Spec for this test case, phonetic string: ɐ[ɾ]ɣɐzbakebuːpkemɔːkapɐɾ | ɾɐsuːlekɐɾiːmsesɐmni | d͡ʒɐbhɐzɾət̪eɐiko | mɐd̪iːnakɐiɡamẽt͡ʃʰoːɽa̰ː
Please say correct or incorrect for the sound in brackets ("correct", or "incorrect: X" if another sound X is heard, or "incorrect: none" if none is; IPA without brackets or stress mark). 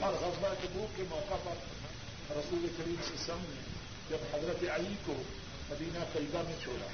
correct